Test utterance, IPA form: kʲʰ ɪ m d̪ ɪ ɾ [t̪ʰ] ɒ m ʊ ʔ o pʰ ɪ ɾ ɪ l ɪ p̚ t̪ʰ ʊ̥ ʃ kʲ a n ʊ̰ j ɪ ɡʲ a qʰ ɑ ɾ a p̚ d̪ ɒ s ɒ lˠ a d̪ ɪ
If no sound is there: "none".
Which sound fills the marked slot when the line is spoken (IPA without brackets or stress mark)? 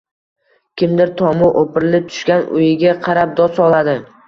t̪ʰ